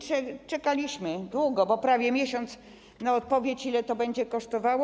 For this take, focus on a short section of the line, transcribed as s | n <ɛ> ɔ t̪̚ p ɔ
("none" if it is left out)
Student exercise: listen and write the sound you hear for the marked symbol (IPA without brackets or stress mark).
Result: a